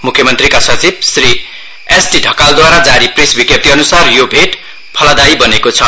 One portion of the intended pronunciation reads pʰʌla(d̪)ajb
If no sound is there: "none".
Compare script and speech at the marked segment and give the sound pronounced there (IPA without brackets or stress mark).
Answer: d̪